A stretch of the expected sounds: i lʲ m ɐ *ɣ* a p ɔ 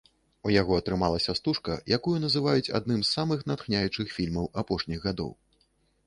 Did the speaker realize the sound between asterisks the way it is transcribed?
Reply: no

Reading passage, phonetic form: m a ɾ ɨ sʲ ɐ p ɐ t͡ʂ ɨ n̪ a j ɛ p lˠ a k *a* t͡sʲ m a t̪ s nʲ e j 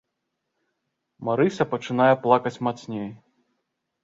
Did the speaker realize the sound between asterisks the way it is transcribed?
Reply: no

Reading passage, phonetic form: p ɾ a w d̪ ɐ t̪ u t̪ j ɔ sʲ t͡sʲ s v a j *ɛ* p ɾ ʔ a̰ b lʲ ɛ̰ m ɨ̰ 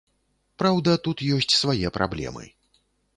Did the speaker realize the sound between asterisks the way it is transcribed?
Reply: yes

